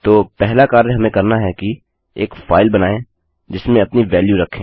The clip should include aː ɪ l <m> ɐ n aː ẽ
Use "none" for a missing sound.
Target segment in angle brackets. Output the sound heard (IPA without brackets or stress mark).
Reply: b